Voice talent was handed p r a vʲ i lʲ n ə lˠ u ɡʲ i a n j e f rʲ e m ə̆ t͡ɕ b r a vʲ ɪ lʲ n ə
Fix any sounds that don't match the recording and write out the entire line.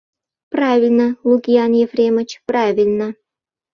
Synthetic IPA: p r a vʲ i lʲ n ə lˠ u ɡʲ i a n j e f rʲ e m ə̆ t͡ɕ p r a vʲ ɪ lʲ n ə